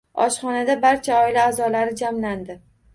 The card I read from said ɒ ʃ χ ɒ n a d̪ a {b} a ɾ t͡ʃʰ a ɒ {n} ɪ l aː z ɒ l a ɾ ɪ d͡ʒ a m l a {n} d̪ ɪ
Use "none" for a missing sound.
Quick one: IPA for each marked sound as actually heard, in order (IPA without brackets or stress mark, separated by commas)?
b, none, n